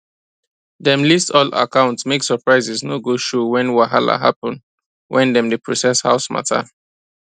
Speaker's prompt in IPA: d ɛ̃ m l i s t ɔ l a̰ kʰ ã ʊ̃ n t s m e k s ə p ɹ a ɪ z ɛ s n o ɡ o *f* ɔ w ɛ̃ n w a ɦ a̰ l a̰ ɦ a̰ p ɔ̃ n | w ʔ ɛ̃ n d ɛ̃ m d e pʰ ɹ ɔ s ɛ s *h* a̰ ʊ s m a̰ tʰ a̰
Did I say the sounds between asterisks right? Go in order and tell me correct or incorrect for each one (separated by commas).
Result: incorrect, correct